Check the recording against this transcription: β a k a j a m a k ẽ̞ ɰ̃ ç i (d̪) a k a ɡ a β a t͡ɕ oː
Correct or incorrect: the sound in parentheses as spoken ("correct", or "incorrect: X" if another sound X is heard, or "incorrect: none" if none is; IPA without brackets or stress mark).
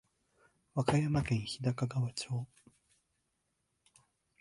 correct